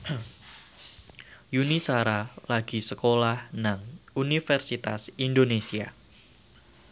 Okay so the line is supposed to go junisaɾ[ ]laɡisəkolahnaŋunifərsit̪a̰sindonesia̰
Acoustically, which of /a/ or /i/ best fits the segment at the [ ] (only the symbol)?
a